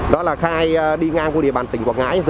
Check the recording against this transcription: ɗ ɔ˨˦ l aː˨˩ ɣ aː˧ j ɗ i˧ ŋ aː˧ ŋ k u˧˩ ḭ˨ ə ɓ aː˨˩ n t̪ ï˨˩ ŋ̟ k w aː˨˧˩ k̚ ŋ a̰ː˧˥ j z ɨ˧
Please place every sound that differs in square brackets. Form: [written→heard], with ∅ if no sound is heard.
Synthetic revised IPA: ɗ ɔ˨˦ l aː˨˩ [ɣ→x] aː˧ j ɗ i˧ ŋ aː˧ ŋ k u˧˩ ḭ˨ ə ɓ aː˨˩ n t̪ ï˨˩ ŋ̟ k w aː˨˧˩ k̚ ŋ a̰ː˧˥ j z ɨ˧